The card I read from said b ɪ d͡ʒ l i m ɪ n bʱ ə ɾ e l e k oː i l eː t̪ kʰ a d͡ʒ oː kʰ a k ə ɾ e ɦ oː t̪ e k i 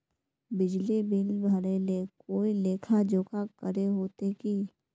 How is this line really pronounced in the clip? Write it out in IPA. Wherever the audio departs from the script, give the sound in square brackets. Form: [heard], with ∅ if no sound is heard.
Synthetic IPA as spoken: b ɪ d͡ʒ l i [b] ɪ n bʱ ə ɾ e l e k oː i l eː [∅] kʰ a d͡ʒ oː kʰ a k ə ɾ e ɦ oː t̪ e k i